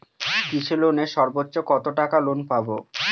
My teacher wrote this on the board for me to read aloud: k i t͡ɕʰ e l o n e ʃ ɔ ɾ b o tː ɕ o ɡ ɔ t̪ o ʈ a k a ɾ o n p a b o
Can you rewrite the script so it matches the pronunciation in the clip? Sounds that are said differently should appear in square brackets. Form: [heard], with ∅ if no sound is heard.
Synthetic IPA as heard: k i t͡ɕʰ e l o n e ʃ ɔ ɾ b o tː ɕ o [k] ɔ t̪ o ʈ a k a [l] o n p a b o